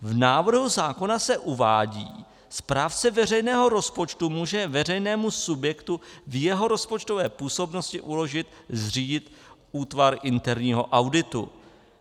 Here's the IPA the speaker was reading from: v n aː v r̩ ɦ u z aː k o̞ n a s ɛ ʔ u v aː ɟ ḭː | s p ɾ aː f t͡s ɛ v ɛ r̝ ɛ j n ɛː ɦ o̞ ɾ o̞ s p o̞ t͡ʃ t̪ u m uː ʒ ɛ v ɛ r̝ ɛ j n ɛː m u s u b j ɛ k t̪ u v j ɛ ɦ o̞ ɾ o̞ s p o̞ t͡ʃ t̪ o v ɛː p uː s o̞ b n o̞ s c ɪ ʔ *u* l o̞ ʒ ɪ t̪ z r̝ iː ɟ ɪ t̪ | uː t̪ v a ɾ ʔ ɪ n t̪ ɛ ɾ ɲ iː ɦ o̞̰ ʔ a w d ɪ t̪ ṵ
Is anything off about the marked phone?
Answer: no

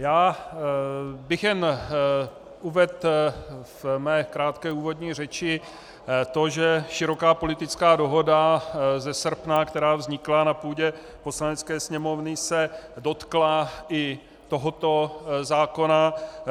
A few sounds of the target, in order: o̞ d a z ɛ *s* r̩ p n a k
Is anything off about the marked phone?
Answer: no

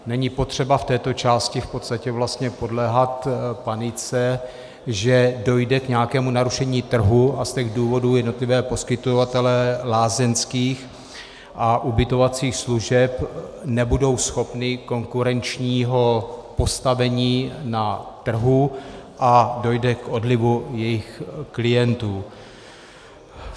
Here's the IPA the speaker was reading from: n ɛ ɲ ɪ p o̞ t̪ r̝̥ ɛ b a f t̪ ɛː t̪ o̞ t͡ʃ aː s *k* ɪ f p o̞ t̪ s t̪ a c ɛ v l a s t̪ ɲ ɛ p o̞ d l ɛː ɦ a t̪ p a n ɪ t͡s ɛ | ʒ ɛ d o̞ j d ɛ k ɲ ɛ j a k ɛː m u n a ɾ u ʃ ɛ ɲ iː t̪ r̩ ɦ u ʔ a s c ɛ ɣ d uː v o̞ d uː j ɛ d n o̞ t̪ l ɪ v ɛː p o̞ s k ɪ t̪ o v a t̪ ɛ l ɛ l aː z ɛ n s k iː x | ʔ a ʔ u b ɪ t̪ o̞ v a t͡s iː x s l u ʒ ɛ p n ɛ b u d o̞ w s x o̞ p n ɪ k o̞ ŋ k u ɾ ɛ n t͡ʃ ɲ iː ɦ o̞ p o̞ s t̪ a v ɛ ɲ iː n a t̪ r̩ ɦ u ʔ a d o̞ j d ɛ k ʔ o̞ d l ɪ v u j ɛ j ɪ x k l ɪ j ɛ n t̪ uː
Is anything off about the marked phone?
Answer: yes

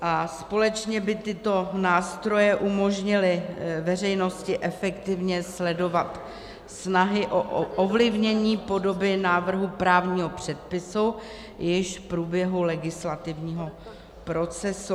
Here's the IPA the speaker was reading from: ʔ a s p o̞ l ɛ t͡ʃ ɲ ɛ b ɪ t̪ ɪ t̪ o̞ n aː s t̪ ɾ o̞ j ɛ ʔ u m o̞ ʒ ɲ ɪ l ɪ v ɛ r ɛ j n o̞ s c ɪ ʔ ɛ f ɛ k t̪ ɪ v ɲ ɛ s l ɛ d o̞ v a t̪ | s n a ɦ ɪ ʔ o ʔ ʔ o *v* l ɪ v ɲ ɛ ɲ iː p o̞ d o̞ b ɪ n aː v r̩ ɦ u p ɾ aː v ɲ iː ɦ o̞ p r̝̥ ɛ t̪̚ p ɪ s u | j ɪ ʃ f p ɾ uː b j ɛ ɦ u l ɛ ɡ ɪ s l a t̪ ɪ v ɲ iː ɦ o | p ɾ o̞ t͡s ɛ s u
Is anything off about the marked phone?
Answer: no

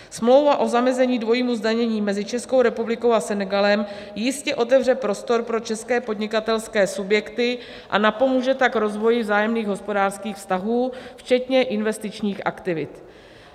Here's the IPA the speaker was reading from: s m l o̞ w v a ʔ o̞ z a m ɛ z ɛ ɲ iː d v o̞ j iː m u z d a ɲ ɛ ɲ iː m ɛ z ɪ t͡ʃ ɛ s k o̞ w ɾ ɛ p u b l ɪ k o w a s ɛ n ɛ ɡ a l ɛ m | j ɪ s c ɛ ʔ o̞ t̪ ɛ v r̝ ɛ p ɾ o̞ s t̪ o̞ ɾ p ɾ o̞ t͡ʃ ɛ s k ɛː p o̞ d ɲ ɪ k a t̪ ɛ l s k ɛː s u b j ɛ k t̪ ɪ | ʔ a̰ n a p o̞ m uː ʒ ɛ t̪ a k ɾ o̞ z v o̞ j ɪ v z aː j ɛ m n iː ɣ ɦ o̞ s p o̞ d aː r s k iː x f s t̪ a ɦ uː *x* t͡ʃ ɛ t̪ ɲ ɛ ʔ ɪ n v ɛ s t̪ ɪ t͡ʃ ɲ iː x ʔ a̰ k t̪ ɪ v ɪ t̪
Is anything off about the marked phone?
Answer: yes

